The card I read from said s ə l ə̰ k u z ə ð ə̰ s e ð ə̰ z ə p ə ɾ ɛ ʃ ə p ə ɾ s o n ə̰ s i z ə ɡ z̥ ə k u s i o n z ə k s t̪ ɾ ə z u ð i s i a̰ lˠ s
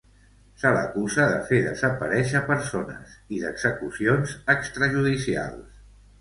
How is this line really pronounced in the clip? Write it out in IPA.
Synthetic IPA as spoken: s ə l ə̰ k u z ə ð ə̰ f e ð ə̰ z ə p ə ɾ ɛ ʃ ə p ə ɾ s o n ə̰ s i ð ə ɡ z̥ ə k u s i o n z ə k s t̪ ɾ ə ʒ u ð i s i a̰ lˠ s

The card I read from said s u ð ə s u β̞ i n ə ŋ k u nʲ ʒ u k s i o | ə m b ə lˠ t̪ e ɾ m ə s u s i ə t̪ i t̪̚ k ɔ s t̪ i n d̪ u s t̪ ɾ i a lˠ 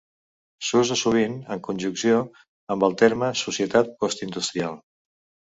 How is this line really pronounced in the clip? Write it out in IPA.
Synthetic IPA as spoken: s u z ə s u β̞ i n ə ŋ k u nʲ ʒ u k s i o | ə m b ə lˠ t̪ e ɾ m ə s u s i ə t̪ a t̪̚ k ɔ s t̪ i n d̪ u s t̪ ɾ i a lˠ

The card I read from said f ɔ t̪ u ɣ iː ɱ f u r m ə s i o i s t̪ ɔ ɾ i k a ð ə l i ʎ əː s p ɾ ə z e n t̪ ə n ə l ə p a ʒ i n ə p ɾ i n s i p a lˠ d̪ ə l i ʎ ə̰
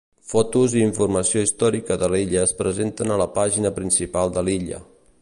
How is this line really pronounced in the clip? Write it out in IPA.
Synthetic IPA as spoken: f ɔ t̪ u z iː ɱ f u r m ə s i o i s t̪ ɔ ɾ i k ə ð ə l i ʎ əː s p ɾ ə z e n t̪ ə n ə l ə p a ʒ i n ə p ɾ i n s i p a lˠ d̪ ə l i ʎ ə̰

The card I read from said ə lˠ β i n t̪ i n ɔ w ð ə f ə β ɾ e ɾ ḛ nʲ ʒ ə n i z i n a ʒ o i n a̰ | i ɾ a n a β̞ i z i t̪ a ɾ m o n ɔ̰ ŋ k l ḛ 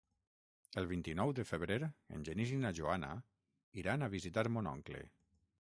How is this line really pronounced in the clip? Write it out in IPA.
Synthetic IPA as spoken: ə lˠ β i n t̪ i n ɔ w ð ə f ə β ɾ e ɾ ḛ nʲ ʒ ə n i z i n a ʒ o a n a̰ | i ɾ a n a β̞ i z i t̪ a ɾ m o n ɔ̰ ŋ k l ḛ

